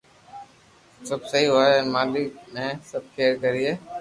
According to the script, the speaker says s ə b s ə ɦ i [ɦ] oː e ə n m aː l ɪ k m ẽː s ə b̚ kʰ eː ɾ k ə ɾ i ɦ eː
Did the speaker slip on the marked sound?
no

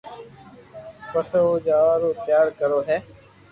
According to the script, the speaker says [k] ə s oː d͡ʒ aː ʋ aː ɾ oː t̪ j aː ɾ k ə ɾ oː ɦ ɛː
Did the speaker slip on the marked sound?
yes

